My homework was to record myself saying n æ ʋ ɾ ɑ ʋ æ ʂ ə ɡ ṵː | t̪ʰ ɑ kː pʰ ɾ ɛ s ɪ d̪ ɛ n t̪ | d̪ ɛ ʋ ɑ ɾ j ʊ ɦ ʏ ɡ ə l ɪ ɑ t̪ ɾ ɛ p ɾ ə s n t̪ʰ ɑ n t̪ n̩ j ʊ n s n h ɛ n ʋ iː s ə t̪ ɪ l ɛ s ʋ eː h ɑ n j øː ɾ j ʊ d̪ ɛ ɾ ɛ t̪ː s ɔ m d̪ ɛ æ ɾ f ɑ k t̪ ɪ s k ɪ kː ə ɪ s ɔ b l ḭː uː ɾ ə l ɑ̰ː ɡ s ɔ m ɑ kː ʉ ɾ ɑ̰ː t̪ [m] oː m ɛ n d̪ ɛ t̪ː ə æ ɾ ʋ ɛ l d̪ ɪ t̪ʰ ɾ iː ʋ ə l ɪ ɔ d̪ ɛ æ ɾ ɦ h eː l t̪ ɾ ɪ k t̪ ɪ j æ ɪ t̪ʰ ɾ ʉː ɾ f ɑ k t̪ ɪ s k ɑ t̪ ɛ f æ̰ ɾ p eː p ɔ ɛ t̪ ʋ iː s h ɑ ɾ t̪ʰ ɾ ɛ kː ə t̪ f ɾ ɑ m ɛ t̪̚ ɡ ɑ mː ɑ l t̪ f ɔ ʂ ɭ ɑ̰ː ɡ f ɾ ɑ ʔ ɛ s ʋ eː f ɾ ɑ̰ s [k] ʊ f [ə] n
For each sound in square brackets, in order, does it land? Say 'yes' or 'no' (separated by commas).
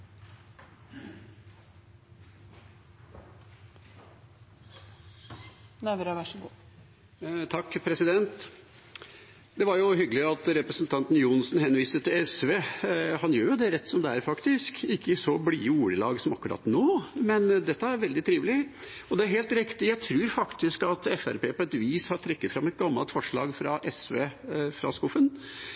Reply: no, yes, yes